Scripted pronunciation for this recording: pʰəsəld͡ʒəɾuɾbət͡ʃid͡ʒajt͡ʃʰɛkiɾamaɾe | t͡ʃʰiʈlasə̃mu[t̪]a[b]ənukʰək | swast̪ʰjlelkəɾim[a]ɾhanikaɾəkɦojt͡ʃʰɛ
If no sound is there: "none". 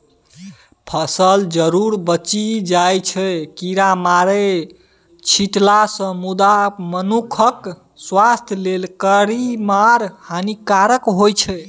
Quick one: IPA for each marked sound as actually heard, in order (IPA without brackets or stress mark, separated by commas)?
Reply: d̪, m, a